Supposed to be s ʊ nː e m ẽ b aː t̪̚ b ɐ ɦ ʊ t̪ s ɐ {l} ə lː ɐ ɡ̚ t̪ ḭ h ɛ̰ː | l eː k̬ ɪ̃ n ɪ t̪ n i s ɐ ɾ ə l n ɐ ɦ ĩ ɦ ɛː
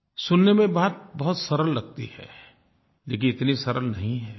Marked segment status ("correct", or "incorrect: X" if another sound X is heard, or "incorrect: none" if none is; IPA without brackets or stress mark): incorrect: ɾ